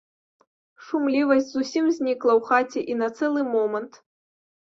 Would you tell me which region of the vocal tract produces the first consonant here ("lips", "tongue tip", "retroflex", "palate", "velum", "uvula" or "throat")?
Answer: retroflex